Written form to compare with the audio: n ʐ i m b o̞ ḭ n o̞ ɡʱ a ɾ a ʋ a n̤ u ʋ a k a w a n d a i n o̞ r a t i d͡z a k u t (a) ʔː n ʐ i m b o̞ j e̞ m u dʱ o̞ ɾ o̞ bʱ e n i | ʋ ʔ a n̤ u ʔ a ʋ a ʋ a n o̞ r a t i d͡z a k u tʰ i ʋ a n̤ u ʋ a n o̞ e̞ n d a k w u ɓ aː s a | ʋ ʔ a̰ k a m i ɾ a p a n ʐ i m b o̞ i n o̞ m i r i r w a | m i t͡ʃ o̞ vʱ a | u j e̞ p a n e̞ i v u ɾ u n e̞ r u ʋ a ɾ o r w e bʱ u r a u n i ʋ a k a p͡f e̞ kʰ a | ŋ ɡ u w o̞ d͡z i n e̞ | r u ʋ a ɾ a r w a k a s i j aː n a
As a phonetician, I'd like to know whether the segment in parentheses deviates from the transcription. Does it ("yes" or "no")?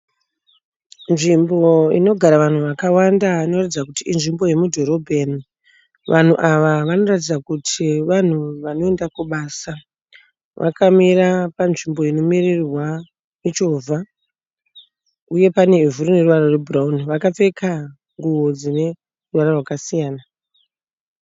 yes